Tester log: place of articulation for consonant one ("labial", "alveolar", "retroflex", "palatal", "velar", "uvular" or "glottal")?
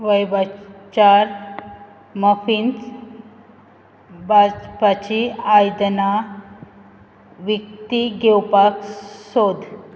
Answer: labial